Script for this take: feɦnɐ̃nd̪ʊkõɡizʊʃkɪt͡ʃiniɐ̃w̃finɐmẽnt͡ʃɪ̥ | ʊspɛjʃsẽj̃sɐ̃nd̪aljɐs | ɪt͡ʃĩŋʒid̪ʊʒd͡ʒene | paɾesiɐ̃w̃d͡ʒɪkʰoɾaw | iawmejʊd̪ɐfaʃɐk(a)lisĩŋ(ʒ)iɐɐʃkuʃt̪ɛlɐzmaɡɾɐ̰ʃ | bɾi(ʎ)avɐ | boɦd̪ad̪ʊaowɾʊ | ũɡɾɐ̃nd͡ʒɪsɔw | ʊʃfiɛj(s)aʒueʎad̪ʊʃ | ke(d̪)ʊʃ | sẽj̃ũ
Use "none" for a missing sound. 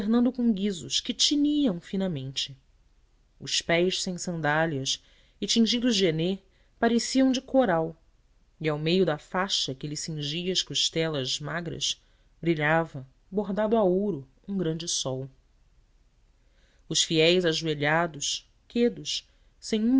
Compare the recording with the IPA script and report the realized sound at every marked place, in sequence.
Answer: e, ʒ, ʎ, z, d̪

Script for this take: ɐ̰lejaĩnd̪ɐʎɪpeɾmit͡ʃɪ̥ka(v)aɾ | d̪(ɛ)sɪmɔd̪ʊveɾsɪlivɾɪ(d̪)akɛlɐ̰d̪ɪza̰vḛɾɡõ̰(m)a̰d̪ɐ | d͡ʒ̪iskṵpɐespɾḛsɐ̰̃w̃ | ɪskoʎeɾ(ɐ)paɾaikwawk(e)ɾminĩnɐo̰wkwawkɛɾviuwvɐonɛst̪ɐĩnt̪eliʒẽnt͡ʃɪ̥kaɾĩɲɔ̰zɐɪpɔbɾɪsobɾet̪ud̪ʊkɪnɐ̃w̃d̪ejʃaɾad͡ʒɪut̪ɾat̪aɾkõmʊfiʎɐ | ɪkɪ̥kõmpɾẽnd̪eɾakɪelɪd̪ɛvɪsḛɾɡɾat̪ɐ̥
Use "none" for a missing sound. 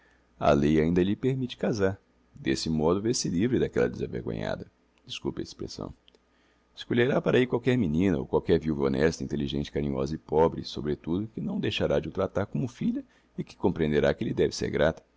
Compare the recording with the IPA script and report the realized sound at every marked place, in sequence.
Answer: z, e, d̪, ɲ, a, ɛ

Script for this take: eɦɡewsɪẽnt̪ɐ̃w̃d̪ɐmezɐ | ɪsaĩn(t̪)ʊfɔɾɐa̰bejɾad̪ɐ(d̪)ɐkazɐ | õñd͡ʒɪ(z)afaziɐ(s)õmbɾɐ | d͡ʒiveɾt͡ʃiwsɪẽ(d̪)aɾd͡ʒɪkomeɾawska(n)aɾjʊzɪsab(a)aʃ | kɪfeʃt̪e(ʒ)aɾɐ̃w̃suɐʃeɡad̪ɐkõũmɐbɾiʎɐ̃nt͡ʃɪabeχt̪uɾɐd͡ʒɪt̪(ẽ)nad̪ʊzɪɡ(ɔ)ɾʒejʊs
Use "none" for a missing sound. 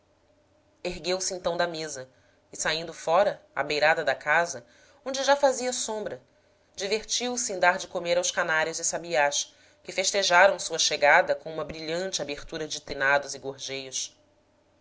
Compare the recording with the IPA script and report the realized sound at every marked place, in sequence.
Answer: d̪, d̪, ʒ, s, d̪, n, i, ʒ, e, o

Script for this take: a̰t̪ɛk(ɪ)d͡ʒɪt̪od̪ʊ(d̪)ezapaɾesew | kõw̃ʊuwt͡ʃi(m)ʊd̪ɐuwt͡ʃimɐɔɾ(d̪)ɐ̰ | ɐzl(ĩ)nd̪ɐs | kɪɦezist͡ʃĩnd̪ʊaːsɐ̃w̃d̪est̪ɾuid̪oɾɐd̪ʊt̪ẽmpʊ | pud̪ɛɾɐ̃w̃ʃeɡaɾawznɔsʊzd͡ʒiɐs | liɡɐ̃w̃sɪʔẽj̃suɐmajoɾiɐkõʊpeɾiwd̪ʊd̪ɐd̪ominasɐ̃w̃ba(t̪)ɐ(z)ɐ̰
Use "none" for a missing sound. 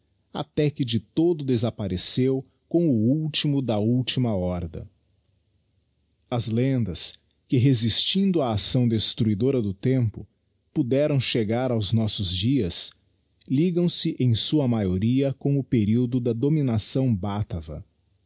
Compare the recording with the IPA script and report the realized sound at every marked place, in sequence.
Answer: ɪ, d̪, m, d̪, ẽ, t̪, v

